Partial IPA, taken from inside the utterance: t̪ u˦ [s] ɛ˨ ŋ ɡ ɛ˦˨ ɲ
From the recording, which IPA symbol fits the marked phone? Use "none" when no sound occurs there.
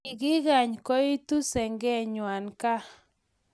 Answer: s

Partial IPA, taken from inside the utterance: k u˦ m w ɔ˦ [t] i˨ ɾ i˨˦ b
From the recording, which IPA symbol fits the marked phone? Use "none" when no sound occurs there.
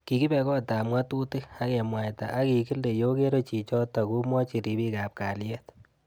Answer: t͡ʃ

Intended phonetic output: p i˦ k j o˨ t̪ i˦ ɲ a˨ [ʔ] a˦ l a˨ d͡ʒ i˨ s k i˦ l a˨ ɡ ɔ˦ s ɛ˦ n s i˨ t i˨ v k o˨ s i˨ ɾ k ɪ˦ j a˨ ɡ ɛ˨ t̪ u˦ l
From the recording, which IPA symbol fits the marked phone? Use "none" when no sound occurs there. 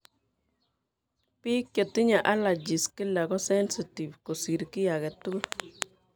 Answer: ʔ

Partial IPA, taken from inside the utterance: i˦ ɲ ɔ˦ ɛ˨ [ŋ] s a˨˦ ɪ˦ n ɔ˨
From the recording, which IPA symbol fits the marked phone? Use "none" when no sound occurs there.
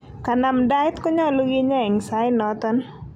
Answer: ŋ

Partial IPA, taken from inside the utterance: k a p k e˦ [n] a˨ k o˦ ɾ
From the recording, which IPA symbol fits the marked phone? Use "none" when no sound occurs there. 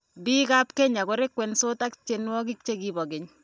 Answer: ɲ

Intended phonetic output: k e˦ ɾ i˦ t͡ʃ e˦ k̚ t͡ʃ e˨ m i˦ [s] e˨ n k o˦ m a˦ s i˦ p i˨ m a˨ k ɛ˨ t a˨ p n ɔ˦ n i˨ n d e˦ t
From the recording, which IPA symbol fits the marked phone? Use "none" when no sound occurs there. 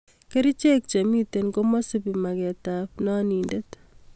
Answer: t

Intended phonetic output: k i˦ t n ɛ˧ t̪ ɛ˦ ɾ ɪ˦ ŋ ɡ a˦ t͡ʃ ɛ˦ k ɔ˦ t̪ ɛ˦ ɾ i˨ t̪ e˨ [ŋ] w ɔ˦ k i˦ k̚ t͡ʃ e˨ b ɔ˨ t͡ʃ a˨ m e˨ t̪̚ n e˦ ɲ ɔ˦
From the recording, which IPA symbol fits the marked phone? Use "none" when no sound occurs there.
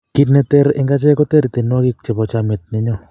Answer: n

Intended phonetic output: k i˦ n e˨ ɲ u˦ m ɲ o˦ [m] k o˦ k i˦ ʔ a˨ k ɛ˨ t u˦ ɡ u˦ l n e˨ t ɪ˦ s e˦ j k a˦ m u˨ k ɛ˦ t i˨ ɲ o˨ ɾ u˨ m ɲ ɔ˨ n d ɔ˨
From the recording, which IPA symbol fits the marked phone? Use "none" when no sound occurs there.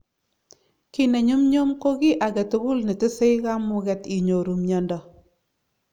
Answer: m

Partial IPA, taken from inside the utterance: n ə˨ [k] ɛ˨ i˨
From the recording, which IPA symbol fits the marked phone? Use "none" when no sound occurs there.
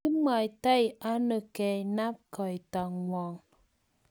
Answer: k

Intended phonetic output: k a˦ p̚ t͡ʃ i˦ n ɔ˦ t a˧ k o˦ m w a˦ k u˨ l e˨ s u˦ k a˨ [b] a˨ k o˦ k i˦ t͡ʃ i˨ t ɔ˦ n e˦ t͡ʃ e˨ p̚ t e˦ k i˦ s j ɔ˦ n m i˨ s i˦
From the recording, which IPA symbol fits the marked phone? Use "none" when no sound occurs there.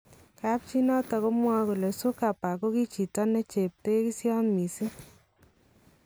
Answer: p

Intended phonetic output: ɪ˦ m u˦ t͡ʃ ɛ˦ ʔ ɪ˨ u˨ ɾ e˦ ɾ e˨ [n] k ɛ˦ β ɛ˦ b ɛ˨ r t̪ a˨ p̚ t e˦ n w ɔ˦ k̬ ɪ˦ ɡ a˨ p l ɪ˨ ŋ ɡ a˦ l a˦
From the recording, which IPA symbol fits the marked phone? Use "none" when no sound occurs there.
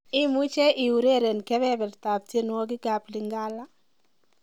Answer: n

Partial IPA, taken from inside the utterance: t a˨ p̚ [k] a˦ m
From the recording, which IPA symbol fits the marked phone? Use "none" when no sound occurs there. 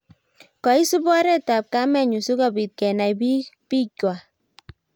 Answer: k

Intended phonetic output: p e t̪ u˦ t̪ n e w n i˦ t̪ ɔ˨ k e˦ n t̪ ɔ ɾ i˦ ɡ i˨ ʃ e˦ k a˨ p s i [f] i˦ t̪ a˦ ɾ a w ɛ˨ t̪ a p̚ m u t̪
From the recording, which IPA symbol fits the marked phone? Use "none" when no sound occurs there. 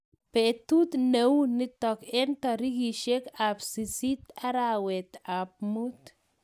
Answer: s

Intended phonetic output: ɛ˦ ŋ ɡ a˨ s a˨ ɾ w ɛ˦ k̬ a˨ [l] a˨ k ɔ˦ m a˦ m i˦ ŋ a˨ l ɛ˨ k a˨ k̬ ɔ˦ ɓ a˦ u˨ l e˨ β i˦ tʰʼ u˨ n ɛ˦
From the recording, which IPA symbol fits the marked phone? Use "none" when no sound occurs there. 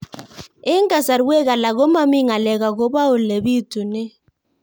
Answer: l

